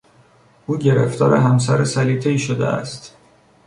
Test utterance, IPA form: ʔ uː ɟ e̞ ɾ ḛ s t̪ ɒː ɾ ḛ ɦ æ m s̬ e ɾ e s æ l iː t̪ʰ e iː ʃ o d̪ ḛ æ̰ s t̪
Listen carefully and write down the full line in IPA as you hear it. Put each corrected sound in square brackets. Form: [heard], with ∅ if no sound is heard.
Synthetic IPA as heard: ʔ uː ɟ e̞ ɾ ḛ [f] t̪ ɒː ɾ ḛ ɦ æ m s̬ [æ] ɾ e s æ l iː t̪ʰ e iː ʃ o d̪ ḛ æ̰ s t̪